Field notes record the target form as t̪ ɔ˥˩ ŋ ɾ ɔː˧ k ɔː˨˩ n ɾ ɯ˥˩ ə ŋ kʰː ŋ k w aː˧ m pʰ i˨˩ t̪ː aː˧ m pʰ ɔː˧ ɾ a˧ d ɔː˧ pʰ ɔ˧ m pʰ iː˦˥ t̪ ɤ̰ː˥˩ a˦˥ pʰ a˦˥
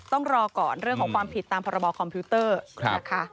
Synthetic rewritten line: t̪ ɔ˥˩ ŋ ɾ ɔː˧ k ɔː˨˩ n ɾ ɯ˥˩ ə ŋ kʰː ŋ k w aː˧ m pʰ i˨˩ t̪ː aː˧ m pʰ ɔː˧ ɾ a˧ b ɔː˧ kʰ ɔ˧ m pʰ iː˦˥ t̪ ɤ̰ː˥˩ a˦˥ kʰ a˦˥

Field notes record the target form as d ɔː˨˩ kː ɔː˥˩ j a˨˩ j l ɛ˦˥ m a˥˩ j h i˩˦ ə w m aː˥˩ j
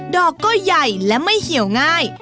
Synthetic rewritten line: d ɔː˨˩ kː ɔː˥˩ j a˨˩ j l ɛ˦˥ m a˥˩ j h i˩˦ ə w ŋ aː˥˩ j

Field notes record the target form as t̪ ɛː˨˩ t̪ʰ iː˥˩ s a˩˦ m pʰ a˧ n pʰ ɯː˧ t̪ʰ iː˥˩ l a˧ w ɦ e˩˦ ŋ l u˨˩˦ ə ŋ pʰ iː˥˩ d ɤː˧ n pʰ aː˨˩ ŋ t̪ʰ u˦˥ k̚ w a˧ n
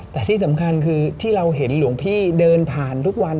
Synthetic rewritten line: t̪ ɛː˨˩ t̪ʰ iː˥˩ s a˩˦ m kʰ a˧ n kʰ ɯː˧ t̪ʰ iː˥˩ ɾ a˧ w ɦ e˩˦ n l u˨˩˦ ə ŋ pʰ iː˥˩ d ɤː˧ n pʰ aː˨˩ n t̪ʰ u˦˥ k̚ w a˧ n

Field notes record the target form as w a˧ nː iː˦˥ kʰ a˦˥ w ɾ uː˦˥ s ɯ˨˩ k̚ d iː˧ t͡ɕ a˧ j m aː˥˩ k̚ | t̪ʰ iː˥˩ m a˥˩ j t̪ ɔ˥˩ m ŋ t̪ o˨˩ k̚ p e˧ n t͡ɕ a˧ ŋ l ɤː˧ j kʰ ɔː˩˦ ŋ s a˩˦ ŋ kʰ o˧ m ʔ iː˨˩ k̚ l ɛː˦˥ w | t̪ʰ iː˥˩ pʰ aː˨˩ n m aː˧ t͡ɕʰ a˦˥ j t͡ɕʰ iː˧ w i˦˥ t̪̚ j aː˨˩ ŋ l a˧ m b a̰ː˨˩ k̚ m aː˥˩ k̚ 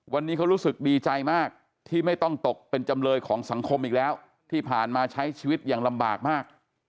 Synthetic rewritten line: w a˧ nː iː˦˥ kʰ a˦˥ w ɾ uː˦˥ s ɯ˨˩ k̚ d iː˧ t͡ɕ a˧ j m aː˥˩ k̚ | t̪ʰ iː˥˩ m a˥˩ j t̪ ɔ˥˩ ŋ t̪ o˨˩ k̚ p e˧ n t͡ɕ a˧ m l ɤː˧ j kʰ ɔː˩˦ ŋ s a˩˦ ŋ kʰ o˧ m ʔ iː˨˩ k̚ l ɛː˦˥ w | t̪ʰ iː˥˩ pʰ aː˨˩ n m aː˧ t͡ɕʰ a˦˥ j t͡ɕʰ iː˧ w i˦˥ t̪̚ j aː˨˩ ŋ l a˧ m b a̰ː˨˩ k̚ m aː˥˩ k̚

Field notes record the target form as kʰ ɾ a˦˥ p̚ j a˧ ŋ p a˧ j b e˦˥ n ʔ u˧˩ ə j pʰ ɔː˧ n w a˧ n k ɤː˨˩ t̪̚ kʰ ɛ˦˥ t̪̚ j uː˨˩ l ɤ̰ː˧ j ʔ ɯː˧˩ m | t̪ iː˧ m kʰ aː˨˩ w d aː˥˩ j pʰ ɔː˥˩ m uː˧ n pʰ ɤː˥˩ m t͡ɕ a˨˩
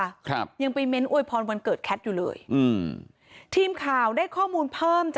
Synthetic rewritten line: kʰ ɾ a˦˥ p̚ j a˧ ŋ p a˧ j m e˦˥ n ʔ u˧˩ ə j pʰ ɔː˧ n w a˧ n k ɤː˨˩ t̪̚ kʰ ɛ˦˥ t̪̚ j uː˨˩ l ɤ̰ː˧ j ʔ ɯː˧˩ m | t̪ʰ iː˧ m kʰ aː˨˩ w d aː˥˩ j kʰ ɔː˥˩ m uː˧ n pʰ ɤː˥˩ m t͡ɕ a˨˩

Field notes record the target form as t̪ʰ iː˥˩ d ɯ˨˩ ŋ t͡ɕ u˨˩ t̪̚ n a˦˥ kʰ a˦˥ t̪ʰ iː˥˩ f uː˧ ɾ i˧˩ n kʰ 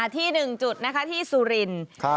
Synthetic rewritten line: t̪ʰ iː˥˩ n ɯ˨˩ ŋ t͡ɕ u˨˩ t̪̚ n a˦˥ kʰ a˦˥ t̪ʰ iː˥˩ s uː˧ ɾ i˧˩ n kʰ

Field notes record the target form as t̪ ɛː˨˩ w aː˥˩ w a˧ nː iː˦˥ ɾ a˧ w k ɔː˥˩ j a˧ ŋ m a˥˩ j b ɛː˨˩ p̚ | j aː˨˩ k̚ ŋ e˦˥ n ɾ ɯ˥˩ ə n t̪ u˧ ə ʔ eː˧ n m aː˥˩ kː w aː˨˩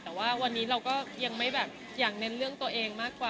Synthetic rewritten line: t̪ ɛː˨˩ w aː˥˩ w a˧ nː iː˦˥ ɾ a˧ w k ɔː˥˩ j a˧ ŋ m a˥˩ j b ɛː˨˩ p̚ | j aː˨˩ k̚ n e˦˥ n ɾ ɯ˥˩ ə ŋ t̪ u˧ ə ʔ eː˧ ŋ m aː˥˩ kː w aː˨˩

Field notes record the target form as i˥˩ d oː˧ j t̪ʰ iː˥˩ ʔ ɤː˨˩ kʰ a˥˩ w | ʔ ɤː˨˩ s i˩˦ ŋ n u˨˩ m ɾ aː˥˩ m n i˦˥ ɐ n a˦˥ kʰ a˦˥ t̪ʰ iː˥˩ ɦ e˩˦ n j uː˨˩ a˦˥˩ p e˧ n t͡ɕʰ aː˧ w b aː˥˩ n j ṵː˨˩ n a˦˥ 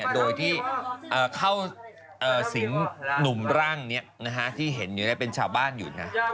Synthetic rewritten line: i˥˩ d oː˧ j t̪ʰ iː˥˩ ʔ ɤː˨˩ kʰ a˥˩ w | ʔ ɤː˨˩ s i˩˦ ŋ n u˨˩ m ɾ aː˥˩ ŋ n i˦˥ ɐ n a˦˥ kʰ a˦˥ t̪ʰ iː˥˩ ɦ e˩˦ n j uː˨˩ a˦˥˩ p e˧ n t͡ɕʰ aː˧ w b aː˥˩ n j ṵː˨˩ n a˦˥

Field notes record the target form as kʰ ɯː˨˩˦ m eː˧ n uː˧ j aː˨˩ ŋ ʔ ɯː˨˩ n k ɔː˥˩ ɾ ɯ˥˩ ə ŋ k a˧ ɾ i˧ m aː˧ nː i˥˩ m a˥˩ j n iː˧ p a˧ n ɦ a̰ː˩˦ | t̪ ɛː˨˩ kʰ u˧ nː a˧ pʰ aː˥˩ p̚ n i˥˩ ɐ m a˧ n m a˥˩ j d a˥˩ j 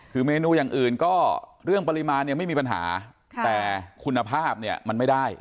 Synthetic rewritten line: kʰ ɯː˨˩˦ m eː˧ n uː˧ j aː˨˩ ŋ ʔ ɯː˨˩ n k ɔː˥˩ ɾ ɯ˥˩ ə ŋ p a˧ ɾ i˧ m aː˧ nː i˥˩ m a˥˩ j m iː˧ p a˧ n ɦ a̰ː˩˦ | t̪ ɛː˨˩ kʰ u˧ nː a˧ pʰ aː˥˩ p̚ n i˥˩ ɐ m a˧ n m a˥˩ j d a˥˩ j

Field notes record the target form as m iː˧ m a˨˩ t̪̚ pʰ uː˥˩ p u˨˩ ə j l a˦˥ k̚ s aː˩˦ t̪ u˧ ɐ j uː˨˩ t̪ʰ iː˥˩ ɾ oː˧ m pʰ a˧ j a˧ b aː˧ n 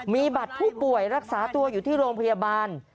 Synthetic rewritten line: m iː˧ b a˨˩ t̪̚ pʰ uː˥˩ p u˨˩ ə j ɾ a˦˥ k̚ s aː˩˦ t̪ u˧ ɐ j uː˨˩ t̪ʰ iː˥˩ ɾ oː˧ m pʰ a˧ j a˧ b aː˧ n

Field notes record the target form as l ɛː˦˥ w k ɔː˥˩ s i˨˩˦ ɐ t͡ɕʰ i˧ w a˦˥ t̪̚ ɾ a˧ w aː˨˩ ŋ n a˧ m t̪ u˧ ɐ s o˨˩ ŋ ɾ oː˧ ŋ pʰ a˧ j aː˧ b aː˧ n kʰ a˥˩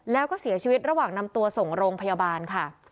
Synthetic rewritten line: l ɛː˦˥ w k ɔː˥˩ s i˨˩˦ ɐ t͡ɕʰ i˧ w i˦˥ t̪̚ ɾ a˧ w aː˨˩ ŋ n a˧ m t̪ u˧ ɐ s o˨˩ ŋ ɾ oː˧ ŋ pʰ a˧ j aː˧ b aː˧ n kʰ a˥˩

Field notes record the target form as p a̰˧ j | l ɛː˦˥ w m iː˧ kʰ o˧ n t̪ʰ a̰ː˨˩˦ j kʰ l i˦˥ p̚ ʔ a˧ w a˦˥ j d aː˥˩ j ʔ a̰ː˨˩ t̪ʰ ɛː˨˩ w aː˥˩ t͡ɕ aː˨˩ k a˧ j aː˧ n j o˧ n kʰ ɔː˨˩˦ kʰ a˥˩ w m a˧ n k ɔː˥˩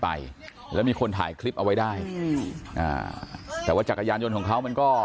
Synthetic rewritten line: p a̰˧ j | l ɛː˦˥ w m iː˧ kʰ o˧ n t̪ʰ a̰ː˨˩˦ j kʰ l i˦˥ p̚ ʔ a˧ w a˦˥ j d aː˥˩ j ʔ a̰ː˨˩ t̪ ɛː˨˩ w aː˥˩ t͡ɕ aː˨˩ k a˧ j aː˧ n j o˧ n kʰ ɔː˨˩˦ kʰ a˦˥ w m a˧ n k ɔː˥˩

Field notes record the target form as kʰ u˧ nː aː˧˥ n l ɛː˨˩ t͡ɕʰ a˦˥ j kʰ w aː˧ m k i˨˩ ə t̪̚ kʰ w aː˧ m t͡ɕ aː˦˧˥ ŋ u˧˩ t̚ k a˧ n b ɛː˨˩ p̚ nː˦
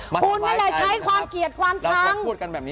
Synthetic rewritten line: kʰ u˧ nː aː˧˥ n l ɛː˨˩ t͡ɕʰ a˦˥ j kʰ w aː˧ m k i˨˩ ə t̪̚ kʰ w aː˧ m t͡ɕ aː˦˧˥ ŋ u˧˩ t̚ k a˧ n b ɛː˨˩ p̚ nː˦

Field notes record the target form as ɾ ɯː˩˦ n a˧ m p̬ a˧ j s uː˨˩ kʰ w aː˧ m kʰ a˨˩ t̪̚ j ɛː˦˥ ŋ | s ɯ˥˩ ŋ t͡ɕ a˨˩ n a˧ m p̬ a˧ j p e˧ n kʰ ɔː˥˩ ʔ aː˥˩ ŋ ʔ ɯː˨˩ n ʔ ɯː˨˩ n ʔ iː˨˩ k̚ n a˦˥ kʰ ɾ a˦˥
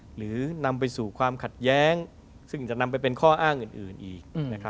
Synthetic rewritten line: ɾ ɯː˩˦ n a˧ m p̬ a˧ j s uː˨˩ kʰ w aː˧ m kʰ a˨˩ t̪̚ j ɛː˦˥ ŋ | s ɯ˥˩ ŋ t͡ɕ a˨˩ n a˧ m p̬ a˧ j p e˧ n kʰ ɔː˥˩ ʔ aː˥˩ ŋ ʔ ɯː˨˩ n ʔ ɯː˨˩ n ʔ iː˨˩ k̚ n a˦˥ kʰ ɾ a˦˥

